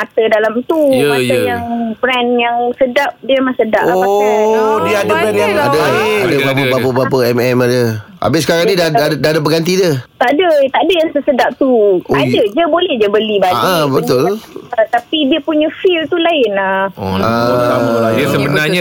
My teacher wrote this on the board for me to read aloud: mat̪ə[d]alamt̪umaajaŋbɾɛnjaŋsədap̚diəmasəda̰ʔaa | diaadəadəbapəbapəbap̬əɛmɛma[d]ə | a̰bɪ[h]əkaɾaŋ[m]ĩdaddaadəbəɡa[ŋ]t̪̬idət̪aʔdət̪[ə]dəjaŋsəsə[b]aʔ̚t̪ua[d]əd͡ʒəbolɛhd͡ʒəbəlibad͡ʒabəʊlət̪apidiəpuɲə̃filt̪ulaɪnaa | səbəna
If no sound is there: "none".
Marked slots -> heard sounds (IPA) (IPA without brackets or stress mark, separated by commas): d, d, s, n, n, a, d, d